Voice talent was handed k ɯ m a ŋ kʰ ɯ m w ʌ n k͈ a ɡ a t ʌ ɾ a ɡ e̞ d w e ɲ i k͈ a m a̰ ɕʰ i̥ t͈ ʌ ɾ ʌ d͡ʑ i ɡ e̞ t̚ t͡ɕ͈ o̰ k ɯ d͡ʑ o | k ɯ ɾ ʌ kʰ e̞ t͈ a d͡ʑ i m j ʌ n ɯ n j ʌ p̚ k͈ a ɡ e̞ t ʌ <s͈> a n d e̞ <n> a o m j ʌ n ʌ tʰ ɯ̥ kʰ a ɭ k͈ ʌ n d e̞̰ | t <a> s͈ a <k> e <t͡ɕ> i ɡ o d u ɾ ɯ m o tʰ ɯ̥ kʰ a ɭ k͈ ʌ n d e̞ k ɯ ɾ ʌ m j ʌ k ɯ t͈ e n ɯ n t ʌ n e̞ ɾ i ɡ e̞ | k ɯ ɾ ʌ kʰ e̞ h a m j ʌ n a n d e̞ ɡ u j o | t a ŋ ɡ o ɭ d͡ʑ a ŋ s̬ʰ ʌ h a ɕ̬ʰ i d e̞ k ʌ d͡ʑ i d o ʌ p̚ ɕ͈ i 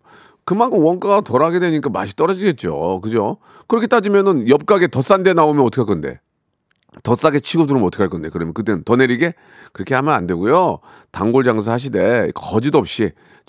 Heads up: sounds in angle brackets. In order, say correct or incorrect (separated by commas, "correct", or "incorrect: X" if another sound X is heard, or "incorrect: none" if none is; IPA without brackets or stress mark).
correct, correct, incorrect: ʌ, incorrect: ɡ, incorrect: t͡ɕʰ